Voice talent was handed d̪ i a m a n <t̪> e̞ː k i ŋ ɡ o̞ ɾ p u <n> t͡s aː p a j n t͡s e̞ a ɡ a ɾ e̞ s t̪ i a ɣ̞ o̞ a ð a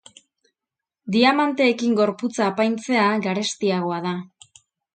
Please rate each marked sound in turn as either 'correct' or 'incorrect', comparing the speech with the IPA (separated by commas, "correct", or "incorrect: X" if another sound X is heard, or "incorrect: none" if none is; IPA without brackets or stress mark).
correct, incorrect: none